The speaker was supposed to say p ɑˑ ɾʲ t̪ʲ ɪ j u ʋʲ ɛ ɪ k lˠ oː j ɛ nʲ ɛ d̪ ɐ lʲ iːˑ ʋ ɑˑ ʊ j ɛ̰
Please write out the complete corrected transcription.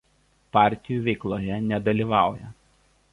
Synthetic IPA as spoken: p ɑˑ ɾʲ t̪ʲ ɪ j u ʋʲ ɛ ɪ k lˠ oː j ɛ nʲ ɛ d̪ ɐ lʲ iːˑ ʋ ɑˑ ʊ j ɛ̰